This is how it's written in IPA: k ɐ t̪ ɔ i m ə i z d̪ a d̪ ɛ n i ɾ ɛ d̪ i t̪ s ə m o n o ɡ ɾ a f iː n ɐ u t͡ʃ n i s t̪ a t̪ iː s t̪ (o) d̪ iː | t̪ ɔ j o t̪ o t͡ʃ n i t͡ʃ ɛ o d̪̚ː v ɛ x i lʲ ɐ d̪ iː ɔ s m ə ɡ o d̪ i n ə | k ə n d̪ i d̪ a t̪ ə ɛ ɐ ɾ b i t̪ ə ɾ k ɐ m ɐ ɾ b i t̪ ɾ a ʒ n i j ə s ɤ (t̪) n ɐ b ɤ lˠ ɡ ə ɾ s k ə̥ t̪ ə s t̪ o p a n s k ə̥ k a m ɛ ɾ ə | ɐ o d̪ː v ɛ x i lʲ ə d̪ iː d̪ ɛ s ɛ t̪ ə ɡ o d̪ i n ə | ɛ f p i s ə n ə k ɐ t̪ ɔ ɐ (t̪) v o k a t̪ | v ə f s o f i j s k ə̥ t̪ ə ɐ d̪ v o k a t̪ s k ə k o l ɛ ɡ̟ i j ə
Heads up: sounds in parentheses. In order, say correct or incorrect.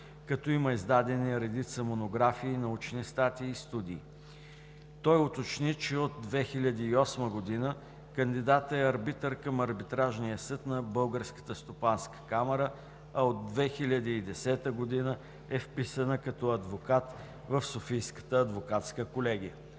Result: incorrect: u, correct, incorrect: d̪

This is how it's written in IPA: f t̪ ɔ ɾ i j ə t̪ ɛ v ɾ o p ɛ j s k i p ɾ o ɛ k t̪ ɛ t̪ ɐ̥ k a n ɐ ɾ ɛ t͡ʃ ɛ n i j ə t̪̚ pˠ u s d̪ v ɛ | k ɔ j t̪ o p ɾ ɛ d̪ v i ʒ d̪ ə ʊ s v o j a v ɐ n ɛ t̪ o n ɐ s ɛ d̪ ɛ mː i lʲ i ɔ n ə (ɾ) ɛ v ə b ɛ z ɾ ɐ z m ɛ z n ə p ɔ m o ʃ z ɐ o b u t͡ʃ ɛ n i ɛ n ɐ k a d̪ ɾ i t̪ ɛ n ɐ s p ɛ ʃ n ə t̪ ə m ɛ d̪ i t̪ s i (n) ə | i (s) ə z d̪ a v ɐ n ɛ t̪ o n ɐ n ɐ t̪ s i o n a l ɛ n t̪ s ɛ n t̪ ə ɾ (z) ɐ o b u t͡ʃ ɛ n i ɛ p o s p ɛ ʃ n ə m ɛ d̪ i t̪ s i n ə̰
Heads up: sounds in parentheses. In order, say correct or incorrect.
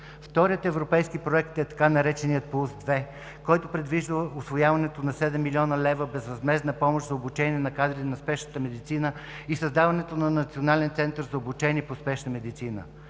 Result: incorrect: l, correct, correct, correct

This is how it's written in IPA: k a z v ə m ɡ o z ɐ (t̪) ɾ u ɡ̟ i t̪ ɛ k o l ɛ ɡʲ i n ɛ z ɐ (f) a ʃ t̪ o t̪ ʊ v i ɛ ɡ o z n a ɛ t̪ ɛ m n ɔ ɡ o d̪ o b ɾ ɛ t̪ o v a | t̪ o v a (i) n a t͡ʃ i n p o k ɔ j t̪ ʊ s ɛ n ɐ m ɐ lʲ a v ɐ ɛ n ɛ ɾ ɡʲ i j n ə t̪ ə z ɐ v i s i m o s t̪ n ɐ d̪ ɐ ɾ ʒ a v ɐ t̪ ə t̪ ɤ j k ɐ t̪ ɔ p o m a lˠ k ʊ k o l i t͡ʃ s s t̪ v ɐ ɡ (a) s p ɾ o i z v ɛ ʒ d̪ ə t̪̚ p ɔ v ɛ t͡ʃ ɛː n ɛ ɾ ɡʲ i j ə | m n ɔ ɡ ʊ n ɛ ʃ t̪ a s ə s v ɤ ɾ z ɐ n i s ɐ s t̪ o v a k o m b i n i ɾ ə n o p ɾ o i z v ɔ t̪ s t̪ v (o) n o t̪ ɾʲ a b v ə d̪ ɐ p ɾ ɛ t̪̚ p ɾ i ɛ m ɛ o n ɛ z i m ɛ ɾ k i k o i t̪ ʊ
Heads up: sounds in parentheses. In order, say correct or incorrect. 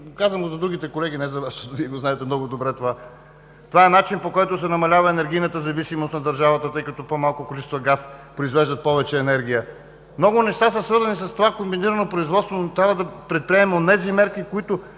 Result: incorrect: d̪, incorrect: v, incorrect: ɛ, correct, correct

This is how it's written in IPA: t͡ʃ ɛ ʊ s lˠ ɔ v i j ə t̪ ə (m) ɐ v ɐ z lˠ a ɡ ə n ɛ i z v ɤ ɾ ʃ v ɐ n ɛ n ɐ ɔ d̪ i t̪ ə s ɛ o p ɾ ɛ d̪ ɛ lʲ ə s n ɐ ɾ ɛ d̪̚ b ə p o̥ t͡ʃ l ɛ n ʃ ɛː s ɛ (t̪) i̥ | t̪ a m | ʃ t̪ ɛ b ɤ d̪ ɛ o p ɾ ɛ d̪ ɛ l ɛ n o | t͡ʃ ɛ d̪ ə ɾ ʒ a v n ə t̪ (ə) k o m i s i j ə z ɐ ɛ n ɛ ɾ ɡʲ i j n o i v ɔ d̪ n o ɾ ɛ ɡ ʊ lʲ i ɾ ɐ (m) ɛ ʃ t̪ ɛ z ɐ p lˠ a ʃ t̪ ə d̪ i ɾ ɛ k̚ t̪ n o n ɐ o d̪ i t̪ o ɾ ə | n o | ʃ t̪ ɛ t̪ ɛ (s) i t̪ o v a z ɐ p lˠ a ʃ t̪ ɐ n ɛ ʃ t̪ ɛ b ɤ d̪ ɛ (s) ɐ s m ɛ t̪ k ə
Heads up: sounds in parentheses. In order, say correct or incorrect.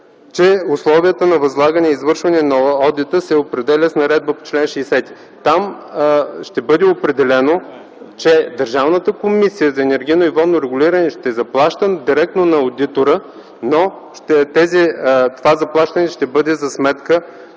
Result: incorrect: n, correct, correct, incorrect: n, incorrect: z, incorrect: z

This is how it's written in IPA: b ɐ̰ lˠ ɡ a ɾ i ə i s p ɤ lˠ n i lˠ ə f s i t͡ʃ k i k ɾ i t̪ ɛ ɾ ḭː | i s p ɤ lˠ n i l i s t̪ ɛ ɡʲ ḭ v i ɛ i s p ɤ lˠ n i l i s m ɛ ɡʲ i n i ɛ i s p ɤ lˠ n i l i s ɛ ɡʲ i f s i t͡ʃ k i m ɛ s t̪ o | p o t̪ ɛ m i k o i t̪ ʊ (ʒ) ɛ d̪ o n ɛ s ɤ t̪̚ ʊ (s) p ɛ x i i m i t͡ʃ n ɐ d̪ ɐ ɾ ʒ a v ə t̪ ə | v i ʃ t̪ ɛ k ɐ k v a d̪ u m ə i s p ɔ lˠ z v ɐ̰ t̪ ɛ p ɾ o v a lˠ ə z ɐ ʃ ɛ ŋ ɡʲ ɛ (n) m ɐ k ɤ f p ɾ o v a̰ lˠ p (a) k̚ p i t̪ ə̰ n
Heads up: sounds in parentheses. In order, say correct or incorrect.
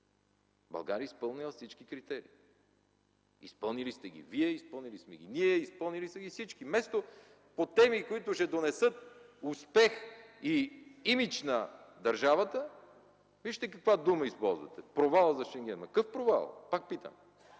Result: incorrect: ʃ, correct, correct, correct

